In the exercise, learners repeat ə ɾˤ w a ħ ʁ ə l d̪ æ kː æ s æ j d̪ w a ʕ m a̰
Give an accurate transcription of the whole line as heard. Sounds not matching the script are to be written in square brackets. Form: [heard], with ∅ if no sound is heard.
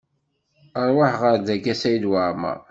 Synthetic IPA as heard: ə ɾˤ w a ħ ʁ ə [ɾ] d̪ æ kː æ s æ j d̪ w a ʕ m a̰